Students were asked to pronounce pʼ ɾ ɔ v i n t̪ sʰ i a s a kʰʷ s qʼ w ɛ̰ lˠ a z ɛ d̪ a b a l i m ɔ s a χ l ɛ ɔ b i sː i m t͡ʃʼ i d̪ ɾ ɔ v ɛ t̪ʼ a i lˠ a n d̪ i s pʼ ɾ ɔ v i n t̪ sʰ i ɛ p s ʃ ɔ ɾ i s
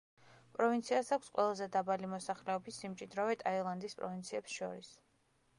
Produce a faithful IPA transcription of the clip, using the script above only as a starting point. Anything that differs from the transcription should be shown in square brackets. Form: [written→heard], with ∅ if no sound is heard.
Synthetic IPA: pʼ ɾ ɔ v i n t̪ sʰ i a s a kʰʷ s qʼ w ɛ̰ lˠ a z ɛ d̪ a b a l i m ɔ s a χ l ɛ ɔ b i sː i m t͡ʃʼ i d̪ ɾ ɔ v ɛ t̪ʼ a i lˠ a n d̪ i s pʼ ɾ ɔ v i n t̪ sʰ i ɛ p s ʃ ɔ ɾ i s

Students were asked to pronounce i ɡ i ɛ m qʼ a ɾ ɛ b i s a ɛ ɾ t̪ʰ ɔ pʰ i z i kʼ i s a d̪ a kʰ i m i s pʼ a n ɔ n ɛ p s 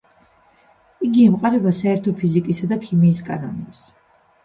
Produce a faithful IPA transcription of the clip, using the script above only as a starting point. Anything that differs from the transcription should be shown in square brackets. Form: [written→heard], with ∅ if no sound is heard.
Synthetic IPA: i ɡ i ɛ m qʼ a ɾ ɛ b [i→a] s a ɛ ɾ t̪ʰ ɔ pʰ i z i kʼ i s a d̪ a kʰ i m [i→iː] s [pʼ→kʼ] a n ɔ n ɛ p s

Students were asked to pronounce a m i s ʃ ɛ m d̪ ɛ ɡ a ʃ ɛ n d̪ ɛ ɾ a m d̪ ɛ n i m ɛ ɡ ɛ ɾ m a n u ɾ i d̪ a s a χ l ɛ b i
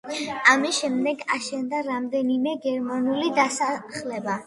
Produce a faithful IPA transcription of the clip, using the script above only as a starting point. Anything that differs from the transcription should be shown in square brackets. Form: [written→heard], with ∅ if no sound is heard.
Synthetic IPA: a m i s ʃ ɛ m d̪ ɛ ɡ a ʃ ɛ n d̪ [ɛ→a] ɾ a m d̪ ɛ n i m ɛ ɡ ɛ ɾ m a n u [ɾ→l] i d̪ a s a χ l ɛ b [i→a]

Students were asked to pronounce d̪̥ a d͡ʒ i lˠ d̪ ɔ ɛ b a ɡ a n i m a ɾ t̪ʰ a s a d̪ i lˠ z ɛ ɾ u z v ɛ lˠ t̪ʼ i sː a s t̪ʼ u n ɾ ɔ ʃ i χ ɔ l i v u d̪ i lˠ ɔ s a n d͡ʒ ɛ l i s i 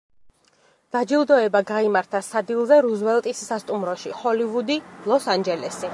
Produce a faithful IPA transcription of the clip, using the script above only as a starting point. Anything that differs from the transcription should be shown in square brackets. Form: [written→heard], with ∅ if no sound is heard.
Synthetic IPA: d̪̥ a d͡ʒ i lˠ d̪ ɔ ɛ b a ɡ a [n→∅] i m a ɾ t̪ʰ a s a d̪ i lˠ z ɛ ɾ u z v ɛ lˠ t̪ʼ i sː a s t̪ʼ u [n→m] ɾ ɔ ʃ i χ ɔ l i v u d̪ i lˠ ɔ s a n d͡ʒ ɛ l [i→ɛ] s i

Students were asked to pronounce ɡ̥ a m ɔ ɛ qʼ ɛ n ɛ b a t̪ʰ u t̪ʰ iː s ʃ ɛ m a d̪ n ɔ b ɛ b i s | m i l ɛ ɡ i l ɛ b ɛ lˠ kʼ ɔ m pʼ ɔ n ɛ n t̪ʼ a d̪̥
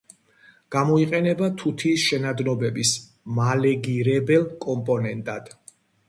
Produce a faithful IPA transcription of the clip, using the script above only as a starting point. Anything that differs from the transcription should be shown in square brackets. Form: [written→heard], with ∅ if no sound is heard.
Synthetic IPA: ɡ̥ a m ɔ [ɛ→i] qʼ ɛ n ɛ b a t̪ʰ u t̪ʰ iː s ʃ ɛ [m→n] a d̪ n ɔ b ɛ b i s | m [i→a] l ɛ ɡ i [l→ɾ] ɛ b ɛ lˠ kʼ ɔ m pʼ ɔ n ɛ n t̪ʼ a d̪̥

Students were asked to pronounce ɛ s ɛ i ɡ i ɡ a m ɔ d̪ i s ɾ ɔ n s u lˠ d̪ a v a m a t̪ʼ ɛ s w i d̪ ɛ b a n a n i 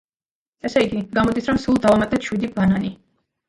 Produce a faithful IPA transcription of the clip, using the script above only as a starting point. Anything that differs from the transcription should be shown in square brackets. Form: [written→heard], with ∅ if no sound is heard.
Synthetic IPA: ɛ s ɛ i ɡ i ɡ a m ɔ d̪ i s ɾ ɔ [n→m] s u lˠ d̪ a v a m a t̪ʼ ɛ [s→ʃ] w i d̪ [ɛ→i] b a n a n i

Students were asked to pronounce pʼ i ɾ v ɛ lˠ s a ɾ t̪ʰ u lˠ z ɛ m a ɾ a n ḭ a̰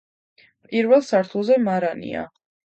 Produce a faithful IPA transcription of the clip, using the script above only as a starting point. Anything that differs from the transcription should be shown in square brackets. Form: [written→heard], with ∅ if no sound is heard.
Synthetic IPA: pʼ i ɾ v ɛ lˠ s a ɾ t̪ʰ u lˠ z ɛ m a ɾ a n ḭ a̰

